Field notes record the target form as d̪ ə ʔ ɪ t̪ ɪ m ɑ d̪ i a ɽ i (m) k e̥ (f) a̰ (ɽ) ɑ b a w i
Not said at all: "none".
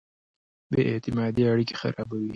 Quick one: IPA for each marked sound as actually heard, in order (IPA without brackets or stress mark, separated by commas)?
none, x, ɾ